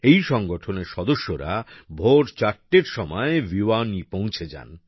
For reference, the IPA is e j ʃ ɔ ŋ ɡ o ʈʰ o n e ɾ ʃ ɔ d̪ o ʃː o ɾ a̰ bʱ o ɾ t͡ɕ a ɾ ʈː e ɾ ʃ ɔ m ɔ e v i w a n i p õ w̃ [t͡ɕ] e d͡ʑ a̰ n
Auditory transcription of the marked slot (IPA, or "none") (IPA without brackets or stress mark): t͡ɕʰ